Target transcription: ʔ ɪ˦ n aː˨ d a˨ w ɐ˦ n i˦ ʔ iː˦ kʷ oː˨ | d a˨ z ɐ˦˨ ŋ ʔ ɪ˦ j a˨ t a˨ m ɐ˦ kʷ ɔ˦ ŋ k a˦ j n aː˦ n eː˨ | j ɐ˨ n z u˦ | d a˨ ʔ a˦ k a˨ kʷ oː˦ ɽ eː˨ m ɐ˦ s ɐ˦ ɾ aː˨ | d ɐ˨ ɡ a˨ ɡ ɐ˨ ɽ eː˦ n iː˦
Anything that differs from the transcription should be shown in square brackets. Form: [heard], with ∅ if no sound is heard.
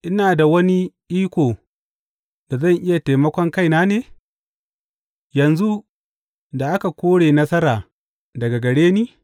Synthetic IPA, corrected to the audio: ʔ ɪ˦ n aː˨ d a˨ w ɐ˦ n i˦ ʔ iː˦ kʷ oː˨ | d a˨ z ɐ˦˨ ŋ ʔ ɪ˦ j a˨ t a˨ m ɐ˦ kʷ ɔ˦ ŋ k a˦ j n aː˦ n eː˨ | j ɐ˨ n z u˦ | d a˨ ʔ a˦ k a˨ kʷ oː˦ ɽ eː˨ [n] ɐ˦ s ɐ˦ ɾ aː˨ | d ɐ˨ ɡ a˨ ɡ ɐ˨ ɽ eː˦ n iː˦

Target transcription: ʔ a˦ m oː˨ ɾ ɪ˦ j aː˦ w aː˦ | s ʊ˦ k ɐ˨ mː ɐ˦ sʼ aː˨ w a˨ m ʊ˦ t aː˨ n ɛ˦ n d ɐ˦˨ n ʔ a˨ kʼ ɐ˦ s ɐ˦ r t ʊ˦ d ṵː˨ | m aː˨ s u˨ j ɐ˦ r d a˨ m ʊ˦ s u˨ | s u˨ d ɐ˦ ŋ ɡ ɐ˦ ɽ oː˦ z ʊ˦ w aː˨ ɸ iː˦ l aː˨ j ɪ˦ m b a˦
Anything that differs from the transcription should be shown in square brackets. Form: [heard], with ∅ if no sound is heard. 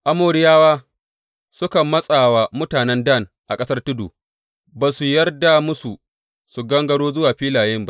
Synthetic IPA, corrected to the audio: ʔ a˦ m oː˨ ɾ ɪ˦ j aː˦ w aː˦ | s ʊ˦ k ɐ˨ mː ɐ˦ sʼ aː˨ w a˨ m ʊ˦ t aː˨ n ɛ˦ n d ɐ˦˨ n ʔ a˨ kʼ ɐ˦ s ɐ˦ r t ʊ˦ d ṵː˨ | [b] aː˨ s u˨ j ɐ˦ r d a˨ m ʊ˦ s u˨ | s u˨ [ɡ] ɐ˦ ŋ ɡ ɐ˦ ɽ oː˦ z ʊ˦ w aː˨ ɸ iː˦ l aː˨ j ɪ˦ m b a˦

